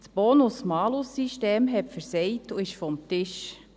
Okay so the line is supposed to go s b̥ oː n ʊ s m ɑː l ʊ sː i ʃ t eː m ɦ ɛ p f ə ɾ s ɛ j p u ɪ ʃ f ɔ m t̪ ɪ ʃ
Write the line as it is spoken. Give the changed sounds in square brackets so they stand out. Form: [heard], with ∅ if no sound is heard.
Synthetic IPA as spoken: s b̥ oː n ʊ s m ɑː l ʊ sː i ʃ t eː m ɦ ɛ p f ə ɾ s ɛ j [t] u ɪ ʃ f ɔ m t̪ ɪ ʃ